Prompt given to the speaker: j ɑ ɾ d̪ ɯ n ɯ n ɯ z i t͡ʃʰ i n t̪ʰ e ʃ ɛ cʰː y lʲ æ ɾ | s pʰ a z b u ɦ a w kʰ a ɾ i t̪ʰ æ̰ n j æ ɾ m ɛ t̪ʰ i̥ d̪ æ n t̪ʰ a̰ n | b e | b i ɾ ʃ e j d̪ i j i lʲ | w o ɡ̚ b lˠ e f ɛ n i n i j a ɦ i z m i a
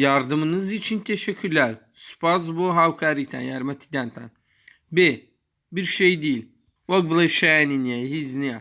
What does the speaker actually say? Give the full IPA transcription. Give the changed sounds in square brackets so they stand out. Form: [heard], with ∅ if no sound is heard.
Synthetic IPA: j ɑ ɾ d̪ ɯ [m] ɯ n ɯ z i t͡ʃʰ i n t̪ʰ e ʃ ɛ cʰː y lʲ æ ɾ | s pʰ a z b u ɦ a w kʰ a ɾ i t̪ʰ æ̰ n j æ ɾ m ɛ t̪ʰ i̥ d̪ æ n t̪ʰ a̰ n | b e | b i ɾ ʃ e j d̪ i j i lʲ | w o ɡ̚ b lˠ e [ʃ] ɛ n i n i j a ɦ i z [n] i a